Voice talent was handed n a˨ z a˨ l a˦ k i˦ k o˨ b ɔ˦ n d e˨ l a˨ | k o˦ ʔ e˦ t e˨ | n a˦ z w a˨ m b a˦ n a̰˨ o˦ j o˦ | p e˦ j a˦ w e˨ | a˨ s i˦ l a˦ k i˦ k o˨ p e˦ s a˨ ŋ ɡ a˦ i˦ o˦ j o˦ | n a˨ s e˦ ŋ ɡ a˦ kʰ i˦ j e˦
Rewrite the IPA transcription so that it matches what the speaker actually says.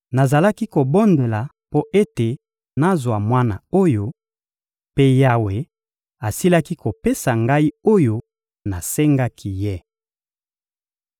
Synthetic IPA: n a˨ z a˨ l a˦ k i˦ k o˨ b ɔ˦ n d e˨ l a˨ | p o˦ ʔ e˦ t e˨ | n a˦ z w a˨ m w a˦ n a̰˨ o˦ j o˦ | p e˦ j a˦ w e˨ | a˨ s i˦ l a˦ k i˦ k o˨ p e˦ s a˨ ŋ ɡ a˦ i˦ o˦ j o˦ | n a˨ s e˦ ŋ ɡ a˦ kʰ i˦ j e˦